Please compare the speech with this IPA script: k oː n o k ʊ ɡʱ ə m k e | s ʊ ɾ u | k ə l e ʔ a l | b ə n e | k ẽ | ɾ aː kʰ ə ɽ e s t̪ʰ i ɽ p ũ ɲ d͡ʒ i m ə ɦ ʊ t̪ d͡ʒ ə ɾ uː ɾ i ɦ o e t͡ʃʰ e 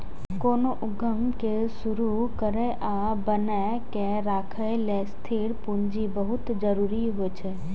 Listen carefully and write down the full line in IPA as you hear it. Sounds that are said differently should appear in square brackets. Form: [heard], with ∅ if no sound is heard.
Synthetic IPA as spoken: k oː n o [ʔ] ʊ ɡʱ ə m k e | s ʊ ɾ u | k ə [ɾ] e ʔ a [∅] | b ə n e | k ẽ | ɾ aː kʰ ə [l] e s t̪ʰ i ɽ p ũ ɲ d͡ʒ i [b] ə ɦ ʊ t̪ d͡ʒ ə ɾ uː ɾ i ɦ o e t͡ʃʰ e